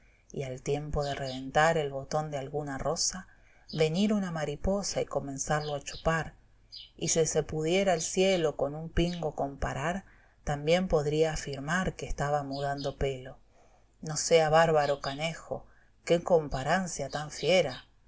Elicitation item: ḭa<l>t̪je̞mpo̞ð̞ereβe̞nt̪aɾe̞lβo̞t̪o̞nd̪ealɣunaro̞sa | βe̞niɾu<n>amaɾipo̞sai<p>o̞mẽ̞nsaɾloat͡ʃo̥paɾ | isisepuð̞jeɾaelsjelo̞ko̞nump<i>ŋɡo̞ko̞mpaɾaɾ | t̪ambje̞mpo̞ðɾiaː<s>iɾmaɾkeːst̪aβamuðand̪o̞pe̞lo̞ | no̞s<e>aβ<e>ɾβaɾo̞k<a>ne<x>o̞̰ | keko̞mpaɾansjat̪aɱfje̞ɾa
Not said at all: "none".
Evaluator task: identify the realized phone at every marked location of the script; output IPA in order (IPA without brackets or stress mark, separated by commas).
l, n, k, i, f, e, a, a, x